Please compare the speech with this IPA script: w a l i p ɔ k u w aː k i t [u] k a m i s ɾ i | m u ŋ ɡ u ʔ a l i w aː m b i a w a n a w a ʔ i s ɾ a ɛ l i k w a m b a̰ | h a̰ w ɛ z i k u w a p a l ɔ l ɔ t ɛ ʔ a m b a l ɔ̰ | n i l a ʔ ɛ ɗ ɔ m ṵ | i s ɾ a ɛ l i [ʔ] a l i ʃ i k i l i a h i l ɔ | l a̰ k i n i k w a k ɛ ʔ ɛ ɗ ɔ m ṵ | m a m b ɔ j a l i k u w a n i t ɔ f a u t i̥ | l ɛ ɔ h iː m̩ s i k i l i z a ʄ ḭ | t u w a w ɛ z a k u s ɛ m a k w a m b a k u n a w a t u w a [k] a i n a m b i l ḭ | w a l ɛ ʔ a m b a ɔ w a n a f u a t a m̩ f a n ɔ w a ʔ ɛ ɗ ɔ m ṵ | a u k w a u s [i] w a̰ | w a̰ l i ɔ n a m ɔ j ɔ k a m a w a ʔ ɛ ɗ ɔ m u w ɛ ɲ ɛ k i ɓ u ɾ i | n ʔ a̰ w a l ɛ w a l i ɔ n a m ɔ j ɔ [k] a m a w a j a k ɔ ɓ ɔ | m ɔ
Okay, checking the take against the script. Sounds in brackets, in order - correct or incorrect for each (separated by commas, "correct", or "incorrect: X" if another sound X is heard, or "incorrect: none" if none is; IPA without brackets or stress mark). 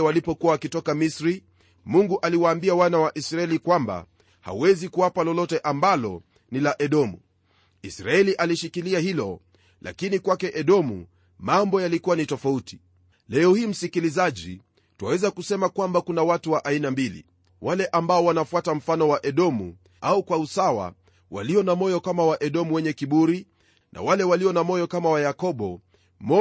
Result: incorrect: ɔ, correct, incorrect: ʔ, incorrect: a, correct